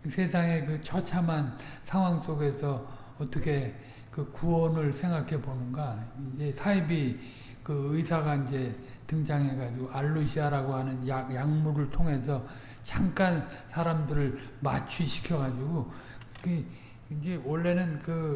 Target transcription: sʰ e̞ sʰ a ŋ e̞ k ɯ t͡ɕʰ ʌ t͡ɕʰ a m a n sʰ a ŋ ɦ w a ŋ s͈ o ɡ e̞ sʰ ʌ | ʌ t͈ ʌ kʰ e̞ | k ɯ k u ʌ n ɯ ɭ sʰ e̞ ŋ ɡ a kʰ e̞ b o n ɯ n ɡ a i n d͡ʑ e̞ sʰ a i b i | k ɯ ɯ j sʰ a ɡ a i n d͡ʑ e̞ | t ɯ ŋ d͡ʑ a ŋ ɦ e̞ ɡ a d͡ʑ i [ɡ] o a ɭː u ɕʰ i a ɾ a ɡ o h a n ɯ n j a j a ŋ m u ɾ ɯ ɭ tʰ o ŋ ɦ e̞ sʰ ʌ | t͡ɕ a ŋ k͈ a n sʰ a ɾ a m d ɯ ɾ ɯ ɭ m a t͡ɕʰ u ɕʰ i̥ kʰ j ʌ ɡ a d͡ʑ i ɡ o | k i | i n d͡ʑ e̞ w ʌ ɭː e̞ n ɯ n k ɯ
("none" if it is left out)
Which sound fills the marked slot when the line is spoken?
ɡ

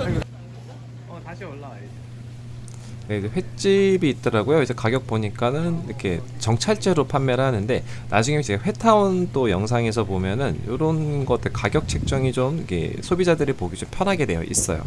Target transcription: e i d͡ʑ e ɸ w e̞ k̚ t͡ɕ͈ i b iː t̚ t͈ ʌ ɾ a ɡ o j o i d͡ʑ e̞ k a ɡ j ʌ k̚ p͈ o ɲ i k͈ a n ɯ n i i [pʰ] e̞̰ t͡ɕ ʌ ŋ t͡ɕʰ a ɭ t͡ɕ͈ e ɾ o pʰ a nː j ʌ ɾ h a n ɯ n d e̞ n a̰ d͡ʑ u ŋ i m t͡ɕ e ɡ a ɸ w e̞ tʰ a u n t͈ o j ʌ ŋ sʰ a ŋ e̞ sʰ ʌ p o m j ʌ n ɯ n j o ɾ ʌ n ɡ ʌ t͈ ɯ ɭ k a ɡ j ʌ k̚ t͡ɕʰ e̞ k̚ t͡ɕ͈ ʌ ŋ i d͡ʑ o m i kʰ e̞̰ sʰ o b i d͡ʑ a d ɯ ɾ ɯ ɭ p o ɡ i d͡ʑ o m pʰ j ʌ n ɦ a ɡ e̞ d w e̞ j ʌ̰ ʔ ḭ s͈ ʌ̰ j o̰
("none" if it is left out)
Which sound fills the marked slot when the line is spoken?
kʰ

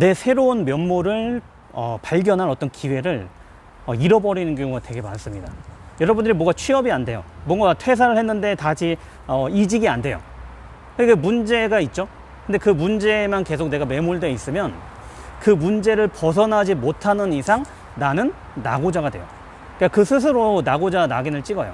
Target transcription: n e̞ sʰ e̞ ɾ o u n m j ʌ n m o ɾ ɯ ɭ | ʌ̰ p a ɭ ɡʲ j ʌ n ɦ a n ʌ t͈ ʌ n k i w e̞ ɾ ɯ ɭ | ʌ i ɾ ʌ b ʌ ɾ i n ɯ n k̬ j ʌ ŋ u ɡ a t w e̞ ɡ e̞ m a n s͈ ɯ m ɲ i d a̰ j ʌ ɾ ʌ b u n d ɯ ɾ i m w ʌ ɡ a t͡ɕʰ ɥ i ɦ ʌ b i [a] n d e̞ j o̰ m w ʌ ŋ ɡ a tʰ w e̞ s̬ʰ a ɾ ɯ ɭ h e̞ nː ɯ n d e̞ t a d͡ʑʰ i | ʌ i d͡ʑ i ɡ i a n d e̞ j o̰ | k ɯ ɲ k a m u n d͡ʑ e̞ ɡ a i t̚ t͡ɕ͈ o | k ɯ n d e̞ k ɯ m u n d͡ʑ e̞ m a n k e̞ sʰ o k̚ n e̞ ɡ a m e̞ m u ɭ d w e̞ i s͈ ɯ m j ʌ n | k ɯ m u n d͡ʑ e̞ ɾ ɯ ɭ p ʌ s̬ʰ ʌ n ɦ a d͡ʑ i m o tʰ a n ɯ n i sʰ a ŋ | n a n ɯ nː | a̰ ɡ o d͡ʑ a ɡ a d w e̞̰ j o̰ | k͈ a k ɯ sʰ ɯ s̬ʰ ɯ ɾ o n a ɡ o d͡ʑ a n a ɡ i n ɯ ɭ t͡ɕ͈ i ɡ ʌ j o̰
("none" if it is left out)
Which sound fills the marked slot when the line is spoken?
a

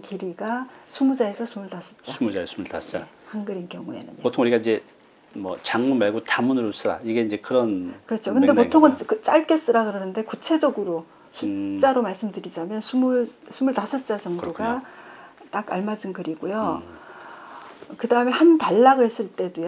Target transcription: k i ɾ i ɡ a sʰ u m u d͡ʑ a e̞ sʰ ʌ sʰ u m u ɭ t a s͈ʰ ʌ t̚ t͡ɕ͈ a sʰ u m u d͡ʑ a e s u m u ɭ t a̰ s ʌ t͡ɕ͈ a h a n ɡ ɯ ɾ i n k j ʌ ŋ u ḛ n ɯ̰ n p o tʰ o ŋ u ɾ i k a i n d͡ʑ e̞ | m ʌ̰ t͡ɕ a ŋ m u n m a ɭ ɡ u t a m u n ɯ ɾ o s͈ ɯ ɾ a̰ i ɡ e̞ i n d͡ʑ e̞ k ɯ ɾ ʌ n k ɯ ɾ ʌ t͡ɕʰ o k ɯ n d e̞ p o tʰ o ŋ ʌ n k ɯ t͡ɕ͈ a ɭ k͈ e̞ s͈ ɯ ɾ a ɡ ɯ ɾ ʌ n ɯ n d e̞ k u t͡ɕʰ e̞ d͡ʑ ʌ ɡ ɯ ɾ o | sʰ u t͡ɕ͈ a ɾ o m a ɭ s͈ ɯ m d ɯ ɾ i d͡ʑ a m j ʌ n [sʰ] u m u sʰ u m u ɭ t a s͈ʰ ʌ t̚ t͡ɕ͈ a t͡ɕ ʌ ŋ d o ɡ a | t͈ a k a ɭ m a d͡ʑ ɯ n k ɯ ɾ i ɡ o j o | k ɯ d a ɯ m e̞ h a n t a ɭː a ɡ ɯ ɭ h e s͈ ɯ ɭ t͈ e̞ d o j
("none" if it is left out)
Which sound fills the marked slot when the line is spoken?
sʰ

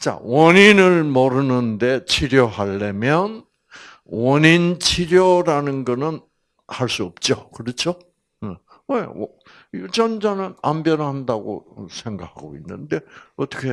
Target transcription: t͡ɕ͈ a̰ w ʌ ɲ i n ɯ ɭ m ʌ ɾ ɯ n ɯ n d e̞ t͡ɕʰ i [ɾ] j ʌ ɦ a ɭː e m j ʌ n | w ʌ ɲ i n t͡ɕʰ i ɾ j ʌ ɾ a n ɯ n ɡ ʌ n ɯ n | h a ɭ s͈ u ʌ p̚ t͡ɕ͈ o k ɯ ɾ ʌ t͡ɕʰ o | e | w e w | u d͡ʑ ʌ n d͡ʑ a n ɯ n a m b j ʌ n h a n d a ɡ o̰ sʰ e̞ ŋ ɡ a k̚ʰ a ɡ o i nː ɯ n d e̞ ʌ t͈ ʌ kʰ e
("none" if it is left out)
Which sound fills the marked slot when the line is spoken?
ɾ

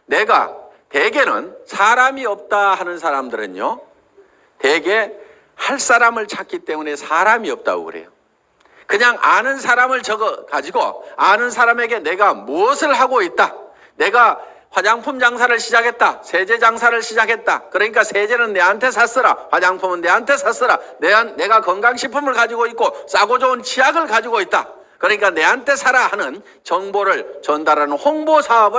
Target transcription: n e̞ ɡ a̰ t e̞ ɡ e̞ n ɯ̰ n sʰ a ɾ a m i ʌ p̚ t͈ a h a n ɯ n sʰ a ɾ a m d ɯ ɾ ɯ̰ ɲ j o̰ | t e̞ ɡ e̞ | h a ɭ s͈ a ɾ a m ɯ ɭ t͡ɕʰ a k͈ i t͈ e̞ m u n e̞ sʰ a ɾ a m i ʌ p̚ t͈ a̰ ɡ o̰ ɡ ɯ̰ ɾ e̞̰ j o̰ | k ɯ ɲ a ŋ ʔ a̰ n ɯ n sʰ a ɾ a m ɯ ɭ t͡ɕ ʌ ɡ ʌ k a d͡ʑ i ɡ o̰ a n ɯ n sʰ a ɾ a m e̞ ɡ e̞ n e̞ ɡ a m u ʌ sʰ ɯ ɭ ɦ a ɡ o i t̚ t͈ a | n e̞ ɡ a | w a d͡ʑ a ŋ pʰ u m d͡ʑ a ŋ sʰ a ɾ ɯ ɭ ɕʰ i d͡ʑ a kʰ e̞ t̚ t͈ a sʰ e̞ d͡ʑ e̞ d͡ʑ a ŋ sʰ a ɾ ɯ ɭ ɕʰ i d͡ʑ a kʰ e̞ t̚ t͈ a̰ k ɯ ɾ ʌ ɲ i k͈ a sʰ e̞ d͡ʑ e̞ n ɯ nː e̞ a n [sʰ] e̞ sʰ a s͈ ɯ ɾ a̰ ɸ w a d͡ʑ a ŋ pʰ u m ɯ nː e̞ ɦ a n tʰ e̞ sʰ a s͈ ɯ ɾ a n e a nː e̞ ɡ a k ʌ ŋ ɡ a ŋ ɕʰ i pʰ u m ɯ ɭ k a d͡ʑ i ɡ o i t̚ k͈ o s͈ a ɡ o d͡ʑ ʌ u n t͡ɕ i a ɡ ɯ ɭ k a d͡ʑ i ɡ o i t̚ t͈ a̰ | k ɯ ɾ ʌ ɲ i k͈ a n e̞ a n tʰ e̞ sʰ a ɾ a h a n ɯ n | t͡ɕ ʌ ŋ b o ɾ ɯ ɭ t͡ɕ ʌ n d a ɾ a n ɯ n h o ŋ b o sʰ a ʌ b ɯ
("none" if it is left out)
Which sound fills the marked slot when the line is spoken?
tʰ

